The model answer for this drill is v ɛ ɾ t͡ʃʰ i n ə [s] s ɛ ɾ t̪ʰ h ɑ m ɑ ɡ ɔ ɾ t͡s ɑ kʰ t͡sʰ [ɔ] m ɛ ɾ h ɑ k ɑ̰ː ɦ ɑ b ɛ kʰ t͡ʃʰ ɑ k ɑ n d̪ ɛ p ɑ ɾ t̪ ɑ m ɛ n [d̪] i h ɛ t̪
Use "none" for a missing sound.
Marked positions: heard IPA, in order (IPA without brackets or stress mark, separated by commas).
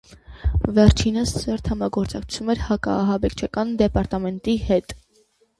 s, u, t̪